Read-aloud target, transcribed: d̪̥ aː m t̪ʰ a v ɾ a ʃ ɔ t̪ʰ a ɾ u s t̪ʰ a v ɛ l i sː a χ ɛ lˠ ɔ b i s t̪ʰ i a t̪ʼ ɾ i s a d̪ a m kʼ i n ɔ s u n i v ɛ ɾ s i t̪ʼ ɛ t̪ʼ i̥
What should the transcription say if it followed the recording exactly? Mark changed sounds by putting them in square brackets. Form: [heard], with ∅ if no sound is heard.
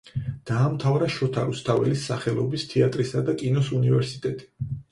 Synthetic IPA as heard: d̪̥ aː m t̪ʰ a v ɾ a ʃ ɔ t̪ʰ a ɾ u s t̪ʰ a v ɛ l i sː a χ ɛ lˠ ɔ b i s t̪ʰ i a t̪ʼ ɾ i s a d̪ a [∅] kʼ i n ɔ s u n i v ɛ ɾ s i t̪ʼ ɛ t̪ʼ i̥

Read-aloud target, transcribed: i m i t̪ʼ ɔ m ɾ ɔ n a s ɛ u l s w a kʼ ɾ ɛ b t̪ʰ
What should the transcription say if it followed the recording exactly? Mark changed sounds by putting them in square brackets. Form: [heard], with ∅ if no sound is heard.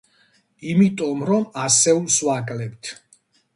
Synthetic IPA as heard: i m i t̪ʼ ɔ m ɾ ɔ [m] a s ɛ u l s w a kʼ [l] ɛ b t̪ʰ

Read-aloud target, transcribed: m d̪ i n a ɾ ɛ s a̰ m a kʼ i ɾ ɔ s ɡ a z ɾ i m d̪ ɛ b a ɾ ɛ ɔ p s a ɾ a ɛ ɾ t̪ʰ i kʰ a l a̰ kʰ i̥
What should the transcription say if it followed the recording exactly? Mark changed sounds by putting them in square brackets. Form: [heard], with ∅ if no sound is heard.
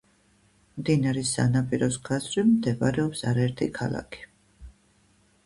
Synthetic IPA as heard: m d̪ i n a ɾ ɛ s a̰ [n] a [pʼ] i ɾ ɔ s ɡ a z ɾ i m d̪ ɛ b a ɾ ɛ ɔ p s a ɾ a ɛ ɾ t̪ʰ i kʰ a l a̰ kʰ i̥

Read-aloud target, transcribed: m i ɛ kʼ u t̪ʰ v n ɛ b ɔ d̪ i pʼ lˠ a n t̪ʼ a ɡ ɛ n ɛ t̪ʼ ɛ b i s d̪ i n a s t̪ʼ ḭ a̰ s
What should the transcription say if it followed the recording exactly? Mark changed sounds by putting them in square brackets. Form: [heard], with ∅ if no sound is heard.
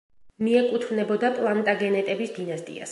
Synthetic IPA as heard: m i ɛ kʼ u t̪ʰ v n ɛ b ɔ d̪ [a] pʼ lˠ a n t̪ʼ a ɡ ɛ n ɛ t̪ʼ ɛ b i s d̪ i n a s t̪ʼ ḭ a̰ s

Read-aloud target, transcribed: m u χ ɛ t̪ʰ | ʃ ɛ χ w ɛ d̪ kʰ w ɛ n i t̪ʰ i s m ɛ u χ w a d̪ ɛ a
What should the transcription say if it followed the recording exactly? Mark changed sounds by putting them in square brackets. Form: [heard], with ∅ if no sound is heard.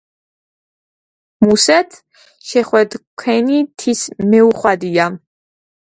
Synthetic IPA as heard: m u [s] ɛ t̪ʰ | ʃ ɛ χ w ɛ d̪ kʰ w ɛ n i t̪ʰ i s m ɛ u χ w a d̪ [i] a

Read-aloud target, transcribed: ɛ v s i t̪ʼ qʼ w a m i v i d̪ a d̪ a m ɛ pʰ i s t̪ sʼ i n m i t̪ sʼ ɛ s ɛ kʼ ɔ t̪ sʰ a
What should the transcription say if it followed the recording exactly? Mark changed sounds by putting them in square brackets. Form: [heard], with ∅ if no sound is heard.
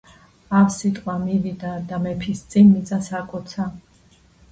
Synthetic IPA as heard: [a] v s i t̪ʼ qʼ w a m i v i d̪ a d̪ a m ɛ pʰ i s t̪ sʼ i n m i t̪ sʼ [a] s [a] kʼ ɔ t̪ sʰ a

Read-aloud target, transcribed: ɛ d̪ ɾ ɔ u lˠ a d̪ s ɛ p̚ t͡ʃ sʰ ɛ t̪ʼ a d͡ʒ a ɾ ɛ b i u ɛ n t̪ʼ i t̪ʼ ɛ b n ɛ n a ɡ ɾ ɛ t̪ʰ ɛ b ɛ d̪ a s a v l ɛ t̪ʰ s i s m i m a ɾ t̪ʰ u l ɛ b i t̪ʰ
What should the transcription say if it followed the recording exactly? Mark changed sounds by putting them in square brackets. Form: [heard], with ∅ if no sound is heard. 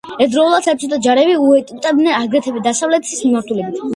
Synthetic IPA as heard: ɛ d̪ ɾ ɔ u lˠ a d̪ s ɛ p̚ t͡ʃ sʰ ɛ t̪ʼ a d͡ʒ a ɾ ɛ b i u ɛ [∅] t̪ʼ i t̪ʼ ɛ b n ɛ n a ɡ ɾ ɛ t̪ʰ ɛ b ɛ d̪ a s a v l ɛ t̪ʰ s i s m i m a ɾ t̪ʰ u l ɛ b i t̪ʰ

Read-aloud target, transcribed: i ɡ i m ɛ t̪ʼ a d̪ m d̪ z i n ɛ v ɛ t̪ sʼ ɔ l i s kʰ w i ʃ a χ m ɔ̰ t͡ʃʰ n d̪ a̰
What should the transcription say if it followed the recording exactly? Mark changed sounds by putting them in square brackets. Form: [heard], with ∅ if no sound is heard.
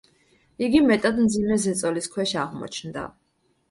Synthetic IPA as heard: i ɡ i m ɛ t̪ʼ a d̪ m d̪ z i [m] ɛ [z] ɛ t̪ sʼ ɔ l i s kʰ w [ɛ] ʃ a [ʁ] m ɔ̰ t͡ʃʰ n d̪ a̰

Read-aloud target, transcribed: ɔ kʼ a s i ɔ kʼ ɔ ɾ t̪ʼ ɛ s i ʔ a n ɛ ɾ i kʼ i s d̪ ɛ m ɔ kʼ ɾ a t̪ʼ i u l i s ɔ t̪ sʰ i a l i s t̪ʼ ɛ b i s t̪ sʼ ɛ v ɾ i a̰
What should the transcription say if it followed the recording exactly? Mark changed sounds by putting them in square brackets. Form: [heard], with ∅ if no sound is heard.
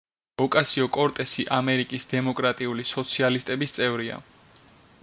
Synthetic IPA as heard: ɔ kʼ a s i ɔ kʼ ɔ ɾ t̪ʼ ɛ s i ʔ a [m] ɛ ɾ i kʼ i s d̪ ɛ m ɔ kʼ ɾ a t̪ʼ i u l i s ɔ t̪ sʰ i a l i s t̪ʼ ɛ b i s t̪ sʼ ɛ v ɾ i a̰

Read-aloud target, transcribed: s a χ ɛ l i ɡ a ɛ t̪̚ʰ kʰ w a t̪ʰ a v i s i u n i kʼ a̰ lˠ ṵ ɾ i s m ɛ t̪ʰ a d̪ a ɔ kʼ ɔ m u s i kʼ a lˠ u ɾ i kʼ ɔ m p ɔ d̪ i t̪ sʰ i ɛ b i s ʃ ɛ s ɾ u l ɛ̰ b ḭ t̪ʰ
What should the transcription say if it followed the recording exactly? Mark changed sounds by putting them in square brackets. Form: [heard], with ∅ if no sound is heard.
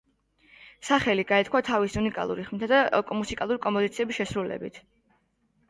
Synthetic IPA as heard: s a χ ɛ l i ɡ a ɛ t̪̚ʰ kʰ w a t̪ʰ a v i s i u n i kʼ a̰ lˠ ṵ ɾ i [χ] m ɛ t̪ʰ a d̪ a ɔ kʼ ɔ m u s i kʼ a lˠ u ɾ i kʼ ɔ m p ɔ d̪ i t̪ sʰ i ɛ b i s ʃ ɛ s ɾ u l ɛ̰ b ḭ t̪ʰ

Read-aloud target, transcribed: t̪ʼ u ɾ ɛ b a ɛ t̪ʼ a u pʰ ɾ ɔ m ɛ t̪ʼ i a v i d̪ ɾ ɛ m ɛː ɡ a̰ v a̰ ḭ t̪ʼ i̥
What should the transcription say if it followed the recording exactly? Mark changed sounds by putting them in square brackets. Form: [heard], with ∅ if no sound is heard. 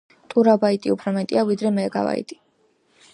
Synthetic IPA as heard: t̪ʼ u ɾ [a] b a [i] t̪ʼ [i] u pʰ ɾ ɔ m ɛ t̪ʼ i a v i d̪ ɾ ɛ m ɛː ɡ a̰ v a̰ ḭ t̪ʼ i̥

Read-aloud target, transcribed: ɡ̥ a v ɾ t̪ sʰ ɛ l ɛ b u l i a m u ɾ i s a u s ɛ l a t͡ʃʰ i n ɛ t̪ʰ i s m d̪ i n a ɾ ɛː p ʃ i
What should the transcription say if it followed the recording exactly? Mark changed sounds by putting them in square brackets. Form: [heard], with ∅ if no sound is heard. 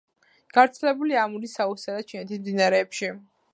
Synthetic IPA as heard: ɡ̥ a v ɾ t̪ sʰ ɛ l ɛ b u l i a m u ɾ i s a u s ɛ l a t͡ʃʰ i n ɛ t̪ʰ i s m d̪ i n a ɾ ɛː p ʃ i

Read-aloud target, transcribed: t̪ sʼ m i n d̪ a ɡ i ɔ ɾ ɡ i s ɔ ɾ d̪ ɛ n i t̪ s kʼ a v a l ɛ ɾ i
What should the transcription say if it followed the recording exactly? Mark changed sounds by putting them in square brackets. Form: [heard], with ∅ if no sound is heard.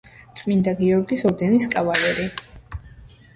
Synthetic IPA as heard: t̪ sʼ m i n d̪ a ɡ i ɔ ɾ ɡ i s ɔ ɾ d̪ ɛ n i [∅] s kʼ a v a l ɛ ɾ i

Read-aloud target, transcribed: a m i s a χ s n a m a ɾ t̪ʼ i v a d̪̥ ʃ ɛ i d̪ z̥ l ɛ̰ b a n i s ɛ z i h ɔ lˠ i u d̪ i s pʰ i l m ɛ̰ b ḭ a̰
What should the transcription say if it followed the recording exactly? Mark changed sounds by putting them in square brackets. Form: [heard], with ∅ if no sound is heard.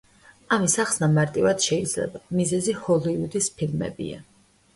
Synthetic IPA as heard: a m i s a χ s n a m a ɾ t̪ʼ i v a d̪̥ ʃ ɛ i d̪ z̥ l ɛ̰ b a [m] i [z] ɛ z i h ɔ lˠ i u d̪ i s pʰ i l m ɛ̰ b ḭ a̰

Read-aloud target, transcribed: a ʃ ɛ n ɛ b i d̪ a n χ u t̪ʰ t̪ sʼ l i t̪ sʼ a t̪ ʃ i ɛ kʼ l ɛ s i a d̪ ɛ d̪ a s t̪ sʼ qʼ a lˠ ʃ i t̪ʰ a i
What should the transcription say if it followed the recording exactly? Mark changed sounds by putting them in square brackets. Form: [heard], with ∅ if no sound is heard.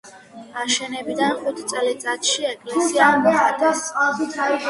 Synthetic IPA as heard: a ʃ ɛ n ɛ b i d̪ a n χ u t̪ʰ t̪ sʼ l i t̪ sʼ a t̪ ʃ i ɛ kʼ l ɛ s i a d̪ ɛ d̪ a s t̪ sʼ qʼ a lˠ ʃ i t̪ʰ a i

